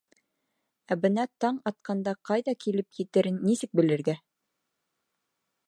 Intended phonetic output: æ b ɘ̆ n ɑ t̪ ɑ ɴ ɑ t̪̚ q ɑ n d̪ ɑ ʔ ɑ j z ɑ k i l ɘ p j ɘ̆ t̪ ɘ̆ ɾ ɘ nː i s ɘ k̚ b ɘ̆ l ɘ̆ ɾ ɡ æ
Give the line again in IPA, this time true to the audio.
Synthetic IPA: æ b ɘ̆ n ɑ t̪ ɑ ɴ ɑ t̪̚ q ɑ n d̪ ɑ q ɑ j ð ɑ k i l ɘ p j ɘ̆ t̪ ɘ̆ ɾ ɘ nː i s ɘ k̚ b ɘ̆ l ɘ̆ ɾ ɡ æ

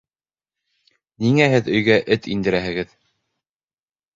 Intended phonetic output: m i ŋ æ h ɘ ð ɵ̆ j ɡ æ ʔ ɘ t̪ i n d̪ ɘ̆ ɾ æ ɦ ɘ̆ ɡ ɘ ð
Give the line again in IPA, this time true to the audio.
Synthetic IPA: n i ŋ æ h ɘ ð ɵ̆ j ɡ æ ʔ ɘ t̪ i n d̪ ɘ̆ ɾ æ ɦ ɘ̆ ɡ ɘ ð

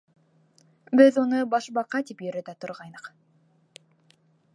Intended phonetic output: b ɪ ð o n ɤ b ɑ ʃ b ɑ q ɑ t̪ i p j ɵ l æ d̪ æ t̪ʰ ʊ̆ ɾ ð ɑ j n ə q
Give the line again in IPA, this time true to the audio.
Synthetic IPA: b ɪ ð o n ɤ b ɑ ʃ b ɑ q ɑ t̪ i p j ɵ ɾ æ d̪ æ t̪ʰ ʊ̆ ɾ ʁ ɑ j n ə q

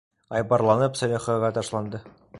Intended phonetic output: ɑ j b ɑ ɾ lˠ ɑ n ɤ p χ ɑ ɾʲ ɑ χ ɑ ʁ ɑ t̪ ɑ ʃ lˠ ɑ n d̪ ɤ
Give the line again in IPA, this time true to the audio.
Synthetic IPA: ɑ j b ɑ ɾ lˠ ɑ n ɤ p s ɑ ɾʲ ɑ χ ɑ ʁ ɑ t̪ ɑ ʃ lˠ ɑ n d̪ ɤ

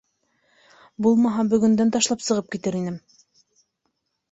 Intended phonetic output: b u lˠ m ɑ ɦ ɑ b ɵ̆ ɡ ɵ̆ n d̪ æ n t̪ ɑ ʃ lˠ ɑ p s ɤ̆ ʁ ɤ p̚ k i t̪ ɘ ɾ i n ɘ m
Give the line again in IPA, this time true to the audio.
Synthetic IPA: b u lˠ m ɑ ɦ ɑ b ɵ̆ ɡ ɵ̆ n d̪ æ n t̪ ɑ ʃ lˠ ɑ p s ɤ̆ ʁ ɤ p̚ k i t̪ ɘ ɾ i n ɘ m

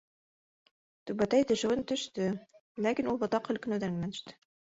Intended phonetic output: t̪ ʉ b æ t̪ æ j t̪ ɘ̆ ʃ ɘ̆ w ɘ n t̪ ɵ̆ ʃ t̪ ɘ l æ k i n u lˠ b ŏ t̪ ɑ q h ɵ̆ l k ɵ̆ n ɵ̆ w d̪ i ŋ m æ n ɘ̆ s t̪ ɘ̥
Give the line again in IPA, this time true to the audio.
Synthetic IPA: t̪ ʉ b æ t̪ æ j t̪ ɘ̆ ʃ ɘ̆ w ɘ n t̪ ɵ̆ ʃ t̪ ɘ l æ k i n u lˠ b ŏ t̪ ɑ q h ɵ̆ l k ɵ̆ n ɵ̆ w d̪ æ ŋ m æ n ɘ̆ ʃ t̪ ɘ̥

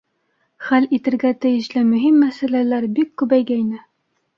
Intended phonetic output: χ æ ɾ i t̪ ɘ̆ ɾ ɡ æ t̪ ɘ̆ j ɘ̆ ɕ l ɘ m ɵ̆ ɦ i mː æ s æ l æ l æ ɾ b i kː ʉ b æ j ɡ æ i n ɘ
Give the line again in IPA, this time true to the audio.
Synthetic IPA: χ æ l i t̪ ɘ̆ ɾ ɡ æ t̪ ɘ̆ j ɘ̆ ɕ l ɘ m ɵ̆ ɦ i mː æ s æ l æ l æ ɾ b i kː ʉ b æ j ɡ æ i n ɘ

